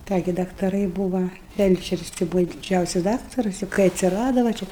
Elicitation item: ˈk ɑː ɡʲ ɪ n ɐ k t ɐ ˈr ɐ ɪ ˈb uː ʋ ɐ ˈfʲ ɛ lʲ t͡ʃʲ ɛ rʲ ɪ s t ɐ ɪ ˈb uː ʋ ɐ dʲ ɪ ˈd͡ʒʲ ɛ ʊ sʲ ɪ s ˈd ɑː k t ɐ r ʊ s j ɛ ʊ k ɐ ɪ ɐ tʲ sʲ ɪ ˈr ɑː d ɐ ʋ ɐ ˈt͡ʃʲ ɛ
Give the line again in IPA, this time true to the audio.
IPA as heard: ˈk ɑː ɡʲ ɪ d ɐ k t ɐ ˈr ɐ ɪ ˈb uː ʋ ɐ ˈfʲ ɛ lʲ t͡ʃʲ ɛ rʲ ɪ s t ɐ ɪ ˈb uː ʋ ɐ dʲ ɪ ˈd͡ʒʲ ɛ ʊ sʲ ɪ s ˈd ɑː k t ɐ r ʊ s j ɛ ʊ k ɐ ɪ ɐ tʲ sʲ ɪ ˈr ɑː d ɐ ʋ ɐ ˈt͡ʃʲ ɛ

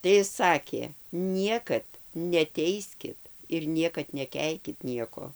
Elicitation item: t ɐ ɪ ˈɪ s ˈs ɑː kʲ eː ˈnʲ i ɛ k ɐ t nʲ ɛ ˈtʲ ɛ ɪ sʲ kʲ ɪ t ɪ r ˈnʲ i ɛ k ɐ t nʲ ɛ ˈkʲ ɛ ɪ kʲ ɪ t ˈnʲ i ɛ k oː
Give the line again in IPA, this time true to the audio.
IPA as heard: t ɐ ɪ ˈɪ s ˈs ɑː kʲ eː ˈnʲ i ɛ k ɐ t nʲ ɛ ˈtʲ ɛ ɪ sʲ kʲ ɪ t ɪ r ˈnʲ i ɛ k ɐ t nʲ ɛ ˈkʲ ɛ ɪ kʲ ɪ t ˈnʲ i ɛ k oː

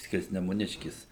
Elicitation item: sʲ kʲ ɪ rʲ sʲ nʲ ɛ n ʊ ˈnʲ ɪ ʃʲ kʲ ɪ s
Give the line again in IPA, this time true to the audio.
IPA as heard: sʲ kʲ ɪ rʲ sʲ nʲ ɛ m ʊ ˈnʲ ɪ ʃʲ kʲ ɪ s

